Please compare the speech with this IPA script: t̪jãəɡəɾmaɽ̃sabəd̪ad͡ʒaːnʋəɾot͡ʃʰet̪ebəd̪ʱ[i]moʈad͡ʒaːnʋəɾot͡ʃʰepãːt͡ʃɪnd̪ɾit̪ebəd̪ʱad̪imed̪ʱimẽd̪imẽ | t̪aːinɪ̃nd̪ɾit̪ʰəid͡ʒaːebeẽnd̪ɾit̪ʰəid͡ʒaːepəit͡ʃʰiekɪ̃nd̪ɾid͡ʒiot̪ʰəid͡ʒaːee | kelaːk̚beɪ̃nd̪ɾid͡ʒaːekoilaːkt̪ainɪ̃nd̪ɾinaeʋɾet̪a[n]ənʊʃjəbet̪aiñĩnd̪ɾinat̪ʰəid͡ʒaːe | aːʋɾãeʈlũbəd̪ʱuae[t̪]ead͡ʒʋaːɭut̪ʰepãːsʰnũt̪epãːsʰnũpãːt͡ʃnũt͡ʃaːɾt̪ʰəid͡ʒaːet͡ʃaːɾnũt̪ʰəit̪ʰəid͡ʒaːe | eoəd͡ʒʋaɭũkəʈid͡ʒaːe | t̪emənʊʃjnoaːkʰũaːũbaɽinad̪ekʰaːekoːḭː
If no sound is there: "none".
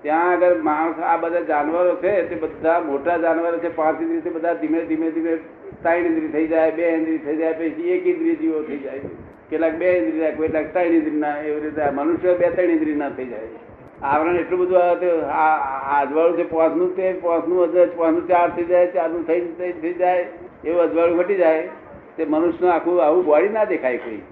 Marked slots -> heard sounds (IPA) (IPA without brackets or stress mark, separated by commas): a, m, t̪